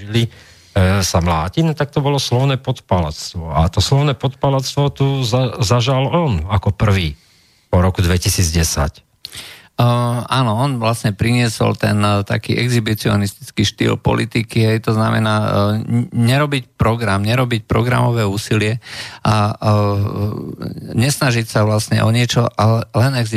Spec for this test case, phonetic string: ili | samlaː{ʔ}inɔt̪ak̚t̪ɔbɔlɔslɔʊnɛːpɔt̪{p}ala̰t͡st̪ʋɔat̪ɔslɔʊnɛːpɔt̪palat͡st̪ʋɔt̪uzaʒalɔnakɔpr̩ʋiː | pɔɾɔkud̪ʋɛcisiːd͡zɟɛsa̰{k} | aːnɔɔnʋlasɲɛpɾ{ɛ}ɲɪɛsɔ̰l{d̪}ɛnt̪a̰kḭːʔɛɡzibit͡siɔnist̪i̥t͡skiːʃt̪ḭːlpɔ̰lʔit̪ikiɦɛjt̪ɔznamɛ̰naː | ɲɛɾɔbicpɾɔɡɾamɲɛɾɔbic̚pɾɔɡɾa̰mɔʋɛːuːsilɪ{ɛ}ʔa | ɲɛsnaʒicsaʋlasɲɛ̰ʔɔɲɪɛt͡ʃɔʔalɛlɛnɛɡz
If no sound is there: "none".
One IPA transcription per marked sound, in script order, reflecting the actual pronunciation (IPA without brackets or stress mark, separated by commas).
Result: c, p, c, i, t̪, ɛ